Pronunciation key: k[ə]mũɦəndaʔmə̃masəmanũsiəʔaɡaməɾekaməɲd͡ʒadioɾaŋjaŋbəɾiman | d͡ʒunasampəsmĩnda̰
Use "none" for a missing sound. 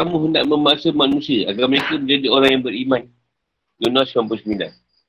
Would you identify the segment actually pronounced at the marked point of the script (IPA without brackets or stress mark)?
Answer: a